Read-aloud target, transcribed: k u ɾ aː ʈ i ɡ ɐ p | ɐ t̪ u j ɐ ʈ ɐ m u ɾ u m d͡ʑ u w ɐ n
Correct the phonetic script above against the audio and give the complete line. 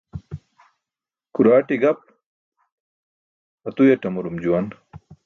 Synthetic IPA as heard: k u ɾ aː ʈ i ɡ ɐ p | ɐ t̪ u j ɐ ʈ ɐ m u ɾ u m d͡ʑ u w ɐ n